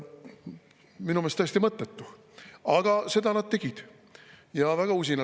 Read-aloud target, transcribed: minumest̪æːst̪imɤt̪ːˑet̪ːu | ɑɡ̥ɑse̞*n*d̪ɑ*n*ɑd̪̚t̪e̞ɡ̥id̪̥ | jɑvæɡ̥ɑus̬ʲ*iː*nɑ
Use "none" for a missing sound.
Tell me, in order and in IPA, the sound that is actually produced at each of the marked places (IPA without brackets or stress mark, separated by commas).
none, n, i